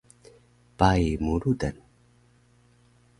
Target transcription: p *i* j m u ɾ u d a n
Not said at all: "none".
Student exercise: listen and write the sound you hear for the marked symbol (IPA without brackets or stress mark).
a